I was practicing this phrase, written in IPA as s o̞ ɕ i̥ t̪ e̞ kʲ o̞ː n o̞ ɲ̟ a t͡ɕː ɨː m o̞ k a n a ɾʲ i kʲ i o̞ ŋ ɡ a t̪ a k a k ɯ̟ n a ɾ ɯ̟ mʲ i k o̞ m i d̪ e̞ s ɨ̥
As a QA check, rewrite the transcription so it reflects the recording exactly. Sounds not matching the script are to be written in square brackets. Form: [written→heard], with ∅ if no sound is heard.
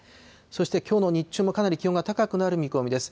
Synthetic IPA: s o̞ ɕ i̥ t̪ e̞ kʲ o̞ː n o̞ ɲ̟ [a→i] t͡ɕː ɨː m o̞ k a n a ɾʲ i kʲ i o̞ ŋ ɡ a t̪ a k a k ɯ̟ n a ɾ ɯ̟ mʲ i k o̞ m i d̪ e̞ s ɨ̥